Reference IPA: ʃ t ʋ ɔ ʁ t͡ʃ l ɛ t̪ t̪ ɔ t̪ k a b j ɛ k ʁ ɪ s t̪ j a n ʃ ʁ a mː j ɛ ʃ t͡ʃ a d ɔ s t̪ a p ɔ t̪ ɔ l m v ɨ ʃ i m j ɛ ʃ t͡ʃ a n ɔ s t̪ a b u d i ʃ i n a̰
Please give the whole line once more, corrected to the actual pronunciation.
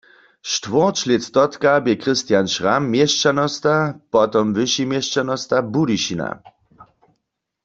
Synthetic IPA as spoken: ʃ t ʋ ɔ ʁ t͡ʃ l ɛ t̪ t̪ ɔ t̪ k a b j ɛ k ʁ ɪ s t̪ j a n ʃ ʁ a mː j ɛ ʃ t͡ʃ a n ɔ s t̪ a p ɔ t̪ ɔ m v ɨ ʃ i m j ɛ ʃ t͡ʃ a n ɔ s t̪ a b u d i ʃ i n a̰